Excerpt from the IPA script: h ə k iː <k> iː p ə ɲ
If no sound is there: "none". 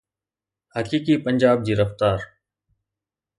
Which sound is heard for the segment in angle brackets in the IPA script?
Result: k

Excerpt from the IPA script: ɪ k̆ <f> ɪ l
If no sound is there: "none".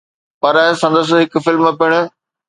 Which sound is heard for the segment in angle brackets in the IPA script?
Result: f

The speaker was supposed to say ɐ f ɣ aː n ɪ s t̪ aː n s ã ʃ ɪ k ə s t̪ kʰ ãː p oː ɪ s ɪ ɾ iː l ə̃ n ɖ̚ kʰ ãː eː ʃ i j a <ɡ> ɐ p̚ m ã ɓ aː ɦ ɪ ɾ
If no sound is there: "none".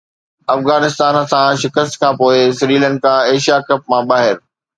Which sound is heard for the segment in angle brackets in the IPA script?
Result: k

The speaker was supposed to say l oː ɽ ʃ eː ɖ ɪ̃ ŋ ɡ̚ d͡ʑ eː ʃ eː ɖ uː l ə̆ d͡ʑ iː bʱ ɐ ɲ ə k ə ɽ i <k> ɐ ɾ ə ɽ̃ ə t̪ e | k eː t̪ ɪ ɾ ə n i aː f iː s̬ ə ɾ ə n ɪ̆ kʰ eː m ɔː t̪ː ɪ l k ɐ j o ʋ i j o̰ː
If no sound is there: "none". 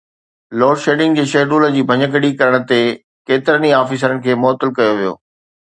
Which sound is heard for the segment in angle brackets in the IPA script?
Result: k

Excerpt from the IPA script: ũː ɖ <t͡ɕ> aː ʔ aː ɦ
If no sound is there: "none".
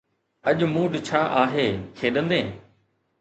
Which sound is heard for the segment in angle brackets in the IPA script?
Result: t͡ɕʰ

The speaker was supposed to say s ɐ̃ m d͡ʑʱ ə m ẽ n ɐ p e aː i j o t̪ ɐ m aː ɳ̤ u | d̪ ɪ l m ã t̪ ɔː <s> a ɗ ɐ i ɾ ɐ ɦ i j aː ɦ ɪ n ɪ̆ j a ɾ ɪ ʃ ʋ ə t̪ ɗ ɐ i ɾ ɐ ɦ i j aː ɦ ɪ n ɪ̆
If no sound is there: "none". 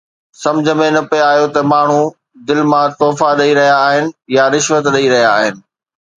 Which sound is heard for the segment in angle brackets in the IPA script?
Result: f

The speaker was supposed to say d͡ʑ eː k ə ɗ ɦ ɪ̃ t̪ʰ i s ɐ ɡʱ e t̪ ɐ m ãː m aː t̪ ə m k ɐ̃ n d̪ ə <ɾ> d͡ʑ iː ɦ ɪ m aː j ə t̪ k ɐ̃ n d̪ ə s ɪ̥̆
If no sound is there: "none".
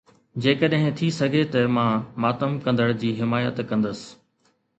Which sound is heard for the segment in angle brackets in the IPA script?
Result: ɽ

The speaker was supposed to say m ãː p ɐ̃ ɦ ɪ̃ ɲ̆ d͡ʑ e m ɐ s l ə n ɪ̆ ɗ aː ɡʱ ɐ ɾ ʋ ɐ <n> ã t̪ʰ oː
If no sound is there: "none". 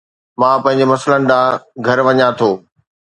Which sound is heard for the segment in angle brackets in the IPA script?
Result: ɲ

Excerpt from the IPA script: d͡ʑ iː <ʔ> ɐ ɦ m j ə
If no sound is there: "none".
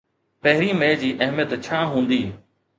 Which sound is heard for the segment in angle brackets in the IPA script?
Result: ʔ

